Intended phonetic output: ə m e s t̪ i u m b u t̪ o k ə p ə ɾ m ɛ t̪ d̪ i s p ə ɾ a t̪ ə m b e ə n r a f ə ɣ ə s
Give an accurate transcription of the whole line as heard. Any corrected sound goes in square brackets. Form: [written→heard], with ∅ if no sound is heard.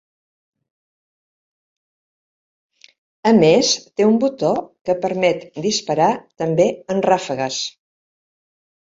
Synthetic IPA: ə m e s t̪ [i→e] u m b u t̪ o k ə p ə ɾ m ɛ t̪ d̪ i s p ə ɾ a t̪ ə m b e ə n r a f ə ɣ ə s